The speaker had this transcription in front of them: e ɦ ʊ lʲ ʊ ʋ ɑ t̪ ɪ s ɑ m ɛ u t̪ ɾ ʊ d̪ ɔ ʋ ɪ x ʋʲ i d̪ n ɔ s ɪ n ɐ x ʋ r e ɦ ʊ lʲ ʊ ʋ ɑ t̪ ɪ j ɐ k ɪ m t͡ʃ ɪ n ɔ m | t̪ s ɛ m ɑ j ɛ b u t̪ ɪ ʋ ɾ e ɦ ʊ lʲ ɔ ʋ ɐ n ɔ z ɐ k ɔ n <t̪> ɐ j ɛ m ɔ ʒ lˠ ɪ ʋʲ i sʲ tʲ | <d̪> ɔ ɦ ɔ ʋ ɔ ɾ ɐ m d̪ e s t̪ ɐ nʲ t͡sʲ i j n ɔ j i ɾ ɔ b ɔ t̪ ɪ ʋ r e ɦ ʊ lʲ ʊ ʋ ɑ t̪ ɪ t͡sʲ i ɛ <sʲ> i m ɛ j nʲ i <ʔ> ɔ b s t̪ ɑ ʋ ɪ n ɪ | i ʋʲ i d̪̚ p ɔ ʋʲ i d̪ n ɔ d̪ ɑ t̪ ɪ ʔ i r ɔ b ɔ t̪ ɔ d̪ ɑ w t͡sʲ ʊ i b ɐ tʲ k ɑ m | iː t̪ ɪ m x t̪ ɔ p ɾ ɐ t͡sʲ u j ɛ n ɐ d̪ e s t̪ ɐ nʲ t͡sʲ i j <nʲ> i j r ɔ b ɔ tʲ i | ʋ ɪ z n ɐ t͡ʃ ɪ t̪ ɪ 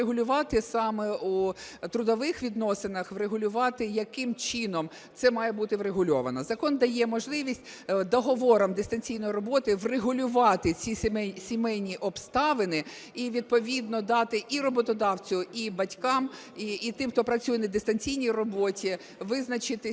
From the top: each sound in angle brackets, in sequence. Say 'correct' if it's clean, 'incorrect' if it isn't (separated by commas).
incorrect, correct, correct, correct, correct